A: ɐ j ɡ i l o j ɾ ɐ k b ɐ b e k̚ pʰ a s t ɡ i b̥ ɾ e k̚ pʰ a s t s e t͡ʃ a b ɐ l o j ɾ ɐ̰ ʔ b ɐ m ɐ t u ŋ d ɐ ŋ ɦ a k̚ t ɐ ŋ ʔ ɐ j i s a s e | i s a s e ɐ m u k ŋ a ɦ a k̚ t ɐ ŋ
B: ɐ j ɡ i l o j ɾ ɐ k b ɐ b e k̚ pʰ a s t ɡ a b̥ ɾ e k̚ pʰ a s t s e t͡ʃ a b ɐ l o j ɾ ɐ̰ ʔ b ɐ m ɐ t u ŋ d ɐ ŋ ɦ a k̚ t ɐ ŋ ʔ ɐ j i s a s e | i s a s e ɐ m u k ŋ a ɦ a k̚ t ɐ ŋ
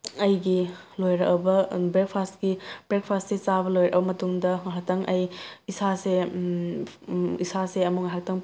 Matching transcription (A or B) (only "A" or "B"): A